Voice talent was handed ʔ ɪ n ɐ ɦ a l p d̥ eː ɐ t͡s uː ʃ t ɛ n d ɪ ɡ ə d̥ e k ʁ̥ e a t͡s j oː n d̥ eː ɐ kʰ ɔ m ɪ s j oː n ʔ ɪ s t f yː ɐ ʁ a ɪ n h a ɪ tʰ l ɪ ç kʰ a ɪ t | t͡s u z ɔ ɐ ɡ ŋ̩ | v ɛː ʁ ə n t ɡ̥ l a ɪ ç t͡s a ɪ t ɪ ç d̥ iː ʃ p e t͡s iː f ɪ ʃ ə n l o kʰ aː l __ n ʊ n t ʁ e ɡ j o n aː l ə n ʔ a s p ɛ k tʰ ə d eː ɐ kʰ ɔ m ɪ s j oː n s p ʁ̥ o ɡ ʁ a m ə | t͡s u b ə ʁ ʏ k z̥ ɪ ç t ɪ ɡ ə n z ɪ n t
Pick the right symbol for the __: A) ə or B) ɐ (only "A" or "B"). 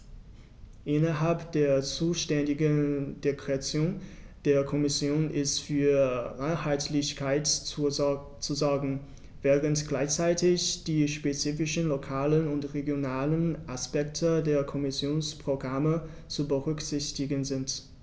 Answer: A